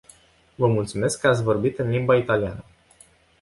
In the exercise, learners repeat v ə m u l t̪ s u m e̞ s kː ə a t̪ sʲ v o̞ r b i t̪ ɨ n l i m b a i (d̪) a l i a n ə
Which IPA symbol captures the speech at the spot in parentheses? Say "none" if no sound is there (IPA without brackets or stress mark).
t̪